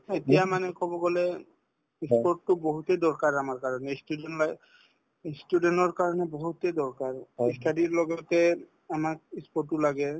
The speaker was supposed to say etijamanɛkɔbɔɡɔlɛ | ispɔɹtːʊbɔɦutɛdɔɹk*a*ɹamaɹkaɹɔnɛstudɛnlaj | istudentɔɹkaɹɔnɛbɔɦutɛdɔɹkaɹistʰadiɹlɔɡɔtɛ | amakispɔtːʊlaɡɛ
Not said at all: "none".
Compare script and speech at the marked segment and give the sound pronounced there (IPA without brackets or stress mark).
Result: a